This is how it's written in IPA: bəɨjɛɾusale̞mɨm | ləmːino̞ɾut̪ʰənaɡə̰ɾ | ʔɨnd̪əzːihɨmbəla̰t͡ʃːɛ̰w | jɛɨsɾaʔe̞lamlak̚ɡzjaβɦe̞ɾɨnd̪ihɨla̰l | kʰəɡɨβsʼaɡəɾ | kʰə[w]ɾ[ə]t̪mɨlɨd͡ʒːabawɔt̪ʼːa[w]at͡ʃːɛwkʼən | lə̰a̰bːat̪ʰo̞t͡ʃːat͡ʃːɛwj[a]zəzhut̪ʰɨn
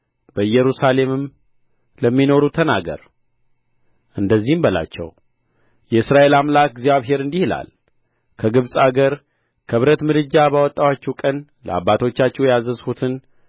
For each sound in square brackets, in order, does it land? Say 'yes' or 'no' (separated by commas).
no, yes, yes, yes